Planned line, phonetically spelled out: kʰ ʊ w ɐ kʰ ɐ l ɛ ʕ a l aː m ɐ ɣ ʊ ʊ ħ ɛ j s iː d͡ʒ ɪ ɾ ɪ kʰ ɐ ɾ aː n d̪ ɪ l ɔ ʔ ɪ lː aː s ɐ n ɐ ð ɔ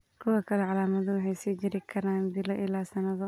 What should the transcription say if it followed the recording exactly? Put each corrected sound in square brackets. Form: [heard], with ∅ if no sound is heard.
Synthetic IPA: kʰ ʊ w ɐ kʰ ɐ l ɛ ʕ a l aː m ɐ [ð] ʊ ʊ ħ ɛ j s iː d͡ʒ ɪ ɾ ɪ kʰ ɐ ɾ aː n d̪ ɪ l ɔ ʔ ɪ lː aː s ɐ n ɐ ð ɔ